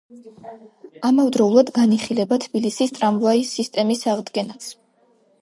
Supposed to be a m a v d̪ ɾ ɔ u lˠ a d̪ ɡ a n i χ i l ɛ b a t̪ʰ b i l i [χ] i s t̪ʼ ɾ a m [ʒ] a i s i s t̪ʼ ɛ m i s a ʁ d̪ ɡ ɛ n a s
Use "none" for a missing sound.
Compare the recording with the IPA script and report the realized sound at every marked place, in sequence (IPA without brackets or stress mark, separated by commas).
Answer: s, v